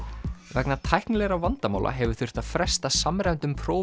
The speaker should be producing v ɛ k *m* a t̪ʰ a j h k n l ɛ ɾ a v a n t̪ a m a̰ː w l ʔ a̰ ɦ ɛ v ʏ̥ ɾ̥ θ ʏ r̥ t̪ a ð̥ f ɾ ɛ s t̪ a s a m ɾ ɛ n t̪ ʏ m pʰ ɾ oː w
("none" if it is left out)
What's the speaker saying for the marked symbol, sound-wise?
n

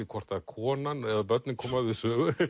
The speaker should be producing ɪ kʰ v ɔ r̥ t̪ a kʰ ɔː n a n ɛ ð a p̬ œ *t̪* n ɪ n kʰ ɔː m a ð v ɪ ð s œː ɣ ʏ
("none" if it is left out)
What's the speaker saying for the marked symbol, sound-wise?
t̪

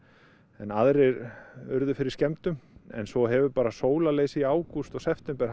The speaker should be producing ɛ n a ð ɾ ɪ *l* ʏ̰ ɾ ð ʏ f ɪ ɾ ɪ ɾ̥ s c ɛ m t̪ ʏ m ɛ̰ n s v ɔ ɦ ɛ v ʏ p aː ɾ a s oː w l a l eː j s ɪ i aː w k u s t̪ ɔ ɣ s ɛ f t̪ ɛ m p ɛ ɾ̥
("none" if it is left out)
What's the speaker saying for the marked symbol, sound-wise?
ɾ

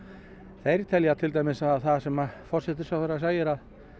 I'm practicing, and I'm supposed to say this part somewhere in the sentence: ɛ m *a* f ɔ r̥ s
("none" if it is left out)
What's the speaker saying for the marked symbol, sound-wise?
a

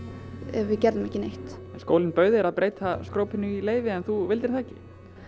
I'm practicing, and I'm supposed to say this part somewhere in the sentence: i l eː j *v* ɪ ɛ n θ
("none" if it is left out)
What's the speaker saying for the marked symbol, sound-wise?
v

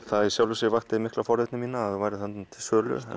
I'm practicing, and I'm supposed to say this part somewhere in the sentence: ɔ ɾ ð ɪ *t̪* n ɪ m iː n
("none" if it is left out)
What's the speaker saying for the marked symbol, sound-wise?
t̪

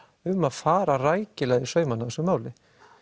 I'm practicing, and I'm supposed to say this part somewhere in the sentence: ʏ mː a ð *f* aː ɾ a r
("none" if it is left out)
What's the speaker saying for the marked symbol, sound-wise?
f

